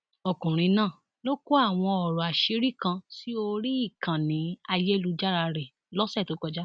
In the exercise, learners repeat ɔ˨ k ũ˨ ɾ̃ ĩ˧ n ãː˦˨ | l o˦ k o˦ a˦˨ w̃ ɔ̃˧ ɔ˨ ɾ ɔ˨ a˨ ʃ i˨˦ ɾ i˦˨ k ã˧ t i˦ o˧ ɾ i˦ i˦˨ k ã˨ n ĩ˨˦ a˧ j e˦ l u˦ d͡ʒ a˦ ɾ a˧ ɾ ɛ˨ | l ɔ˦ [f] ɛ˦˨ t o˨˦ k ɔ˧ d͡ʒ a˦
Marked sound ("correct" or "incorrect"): incorrect